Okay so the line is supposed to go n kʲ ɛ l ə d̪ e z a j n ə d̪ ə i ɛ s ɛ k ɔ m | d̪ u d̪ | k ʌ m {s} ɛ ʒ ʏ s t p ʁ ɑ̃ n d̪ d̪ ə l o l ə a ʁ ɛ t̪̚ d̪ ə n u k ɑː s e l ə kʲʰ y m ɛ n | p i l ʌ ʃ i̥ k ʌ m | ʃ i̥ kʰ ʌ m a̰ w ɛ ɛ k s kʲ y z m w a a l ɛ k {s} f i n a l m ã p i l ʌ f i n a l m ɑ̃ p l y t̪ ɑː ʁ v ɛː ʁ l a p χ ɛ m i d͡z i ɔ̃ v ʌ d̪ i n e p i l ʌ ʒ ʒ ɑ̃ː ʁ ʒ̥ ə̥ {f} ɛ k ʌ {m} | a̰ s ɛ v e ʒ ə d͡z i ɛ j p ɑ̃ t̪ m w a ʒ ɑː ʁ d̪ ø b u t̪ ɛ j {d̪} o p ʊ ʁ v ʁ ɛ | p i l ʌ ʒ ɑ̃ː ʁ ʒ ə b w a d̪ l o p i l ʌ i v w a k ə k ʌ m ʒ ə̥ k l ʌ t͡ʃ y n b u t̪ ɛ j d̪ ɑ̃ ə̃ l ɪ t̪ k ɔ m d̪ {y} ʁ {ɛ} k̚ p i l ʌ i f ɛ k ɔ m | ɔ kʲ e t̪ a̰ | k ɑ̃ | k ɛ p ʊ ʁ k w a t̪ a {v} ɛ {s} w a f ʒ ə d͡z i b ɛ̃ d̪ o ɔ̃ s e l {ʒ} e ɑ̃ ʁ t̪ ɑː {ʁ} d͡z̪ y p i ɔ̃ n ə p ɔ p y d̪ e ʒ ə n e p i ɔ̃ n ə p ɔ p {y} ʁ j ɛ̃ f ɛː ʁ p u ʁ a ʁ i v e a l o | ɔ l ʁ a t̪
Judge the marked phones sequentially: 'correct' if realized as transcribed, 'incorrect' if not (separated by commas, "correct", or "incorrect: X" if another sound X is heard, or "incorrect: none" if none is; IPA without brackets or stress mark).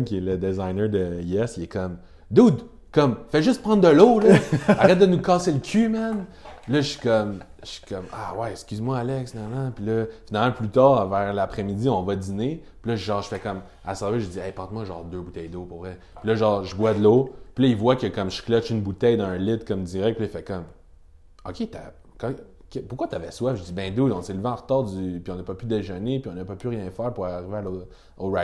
incorrect: f, correct, correct, correct, correct, incorrect: i, correct, correct, correct, incorrect: v, correct, correct